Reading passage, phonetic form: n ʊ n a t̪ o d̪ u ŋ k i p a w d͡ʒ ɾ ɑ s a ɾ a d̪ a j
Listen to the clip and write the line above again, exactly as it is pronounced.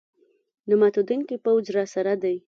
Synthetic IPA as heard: n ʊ m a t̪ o d̪ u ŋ k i p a w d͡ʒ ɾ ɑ s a ɾ a d̪ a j

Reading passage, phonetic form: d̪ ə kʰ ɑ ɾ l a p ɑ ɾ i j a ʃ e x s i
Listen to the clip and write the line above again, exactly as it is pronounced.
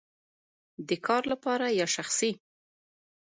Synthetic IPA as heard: d̪ ə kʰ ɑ ɾ l a p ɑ ɾ a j ɑ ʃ a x s i

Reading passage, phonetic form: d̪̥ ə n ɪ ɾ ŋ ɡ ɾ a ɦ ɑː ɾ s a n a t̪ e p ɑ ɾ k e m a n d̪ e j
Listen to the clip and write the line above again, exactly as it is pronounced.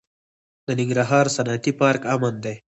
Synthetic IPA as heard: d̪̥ ə n ɪ ŋ ɡ ɾ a ɦ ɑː ɾ s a n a t̪ i p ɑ ɾ k a m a n d̪ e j

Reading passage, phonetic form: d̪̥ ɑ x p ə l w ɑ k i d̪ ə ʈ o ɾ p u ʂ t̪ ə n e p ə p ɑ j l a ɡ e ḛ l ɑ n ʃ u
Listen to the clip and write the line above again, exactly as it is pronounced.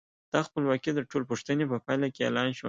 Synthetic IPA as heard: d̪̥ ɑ x p ə l w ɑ k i d̪ ə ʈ o l p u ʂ t̪ ə n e p ə p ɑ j l a k e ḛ l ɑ n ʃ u

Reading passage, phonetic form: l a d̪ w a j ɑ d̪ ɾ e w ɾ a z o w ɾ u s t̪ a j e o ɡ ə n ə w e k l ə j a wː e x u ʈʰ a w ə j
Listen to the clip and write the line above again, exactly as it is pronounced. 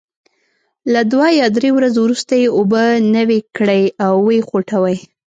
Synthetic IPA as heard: l a d̪ w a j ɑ d̪ ɾ e w ɾ a z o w ɾ u s t̪ a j e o b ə n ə w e k ɽ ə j a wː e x o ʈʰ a w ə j

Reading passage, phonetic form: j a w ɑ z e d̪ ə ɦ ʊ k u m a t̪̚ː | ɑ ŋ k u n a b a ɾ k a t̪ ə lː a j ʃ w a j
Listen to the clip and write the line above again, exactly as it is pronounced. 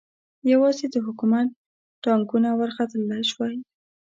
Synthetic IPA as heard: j a w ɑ z e d̪ ə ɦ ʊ k u m a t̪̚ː | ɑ ŋ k u n a w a ɾ x a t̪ ə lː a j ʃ w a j

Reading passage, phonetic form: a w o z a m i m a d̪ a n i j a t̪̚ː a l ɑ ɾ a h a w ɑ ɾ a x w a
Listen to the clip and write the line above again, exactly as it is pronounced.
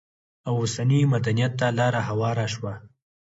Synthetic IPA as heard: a w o s a n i m a d̪ a n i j a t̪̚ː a l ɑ ɾ a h a w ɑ ɾ a ʃ w a

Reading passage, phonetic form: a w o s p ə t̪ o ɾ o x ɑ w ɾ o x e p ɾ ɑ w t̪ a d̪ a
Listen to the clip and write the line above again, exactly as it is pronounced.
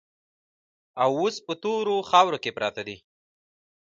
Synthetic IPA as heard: a w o s p ə t̪ o ɾ o x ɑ w ɾ o k e p ɾ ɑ t̪ a d̪ i

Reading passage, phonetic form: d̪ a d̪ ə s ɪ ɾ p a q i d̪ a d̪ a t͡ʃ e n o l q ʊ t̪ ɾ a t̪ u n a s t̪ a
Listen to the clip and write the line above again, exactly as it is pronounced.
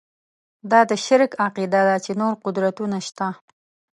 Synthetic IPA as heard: d̪ ɑ d̪ ə ʃ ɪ ɾ k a q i d̪ a d̪ a t͡ʃ e n o ɾ q ʊ d̪ ɾ a t̪ u n a ʃ t̪ a

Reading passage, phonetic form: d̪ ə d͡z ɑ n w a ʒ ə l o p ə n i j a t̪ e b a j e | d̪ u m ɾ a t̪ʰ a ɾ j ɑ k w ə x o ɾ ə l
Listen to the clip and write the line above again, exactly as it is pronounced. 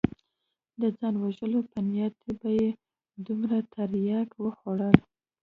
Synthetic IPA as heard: d̪ ə d͡z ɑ n w a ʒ ə l o p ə n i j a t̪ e b a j e | d̪ u m ɾ a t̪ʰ a ɾ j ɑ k w ə x o ɽ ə l

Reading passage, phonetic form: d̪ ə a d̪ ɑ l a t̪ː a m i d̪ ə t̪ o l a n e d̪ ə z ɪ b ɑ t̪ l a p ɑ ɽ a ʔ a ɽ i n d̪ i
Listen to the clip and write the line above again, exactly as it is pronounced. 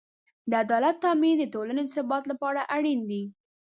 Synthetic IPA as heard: d̪ ə a d̪ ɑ l a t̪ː ɑ m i d̪ ə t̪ o l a n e d̪ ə s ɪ b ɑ t̪ l a p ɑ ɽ a ʔ a ɽ i n d̪ i

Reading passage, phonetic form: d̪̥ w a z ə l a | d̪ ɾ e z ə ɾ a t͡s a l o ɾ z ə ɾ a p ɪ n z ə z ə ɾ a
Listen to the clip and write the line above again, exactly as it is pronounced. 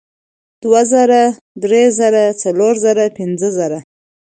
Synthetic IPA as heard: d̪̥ w a z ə ɾ a | d̪ ɾ e z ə ɾ a t͡s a l o ɾ z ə ɾ a p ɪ n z ə z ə ɾ a

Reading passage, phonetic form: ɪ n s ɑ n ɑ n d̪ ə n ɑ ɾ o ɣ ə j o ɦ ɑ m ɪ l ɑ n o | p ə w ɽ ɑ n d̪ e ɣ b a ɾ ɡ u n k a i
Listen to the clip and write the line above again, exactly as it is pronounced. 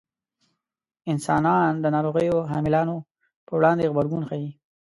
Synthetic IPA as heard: ɪ n s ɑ n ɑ n d̪ ə n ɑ ɾ o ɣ ə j o ɦ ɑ m ɪ l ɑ n o | p ə w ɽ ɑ n d̪ e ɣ b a ɾ ɡ u n x a i

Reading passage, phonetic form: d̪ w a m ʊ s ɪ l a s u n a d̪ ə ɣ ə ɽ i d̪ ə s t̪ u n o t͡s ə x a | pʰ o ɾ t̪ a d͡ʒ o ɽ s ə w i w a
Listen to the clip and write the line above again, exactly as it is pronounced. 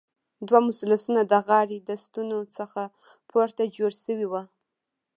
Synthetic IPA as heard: d̪ w a m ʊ s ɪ l a s u n a d̪ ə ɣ ɑ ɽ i d̪ ə s t̪ u n o t͡s ə x a | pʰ o ɾ t̪ a d͡ʒ o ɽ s ə w i w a

